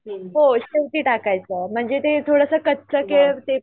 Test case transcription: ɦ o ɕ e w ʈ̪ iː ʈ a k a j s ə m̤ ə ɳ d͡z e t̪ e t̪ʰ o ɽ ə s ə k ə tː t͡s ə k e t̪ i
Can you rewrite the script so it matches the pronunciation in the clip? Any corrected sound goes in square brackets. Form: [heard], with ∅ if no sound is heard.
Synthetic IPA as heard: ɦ o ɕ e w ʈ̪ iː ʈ a k a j [t͡s] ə m̤ ə ɳ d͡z e t̪ e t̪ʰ o ɽ ə s ə k ə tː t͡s ə k e t̪ [e]